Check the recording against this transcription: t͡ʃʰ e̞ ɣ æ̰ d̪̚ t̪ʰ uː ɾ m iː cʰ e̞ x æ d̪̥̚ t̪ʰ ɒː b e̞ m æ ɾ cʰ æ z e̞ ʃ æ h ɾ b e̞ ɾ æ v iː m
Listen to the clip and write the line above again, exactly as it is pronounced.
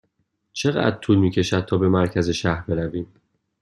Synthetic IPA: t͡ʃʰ e̞ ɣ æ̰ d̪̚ t̪ʰ uː l m iː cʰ e̞ ʃ æ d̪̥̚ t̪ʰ ɒː b e̞ m æ ɾ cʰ æ z e̞ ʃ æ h ɾ b e̞ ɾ æ v iː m